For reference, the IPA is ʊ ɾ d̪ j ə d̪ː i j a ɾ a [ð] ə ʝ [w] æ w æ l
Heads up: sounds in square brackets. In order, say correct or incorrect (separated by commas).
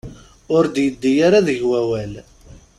correct, correct